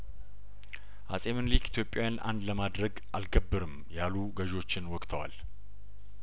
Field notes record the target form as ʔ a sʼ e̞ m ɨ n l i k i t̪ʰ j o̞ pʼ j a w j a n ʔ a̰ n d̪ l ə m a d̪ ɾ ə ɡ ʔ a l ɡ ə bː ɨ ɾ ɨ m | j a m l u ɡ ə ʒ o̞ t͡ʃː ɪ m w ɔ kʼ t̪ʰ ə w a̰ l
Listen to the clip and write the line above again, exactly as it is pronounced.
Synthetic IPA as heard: ʔ a sʼ e̞ m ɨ n l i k i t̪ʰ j o̞ pʼ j a w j a n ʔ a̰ n d̪ l ə m a d̪ ɾ ə ɡ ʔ a l ɡ ə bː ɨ ɾ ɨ m | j a l u ɡ ə ʒ o̞ t͡ʃː ɪ n w ɔ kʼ t̪ʰ ə w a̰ l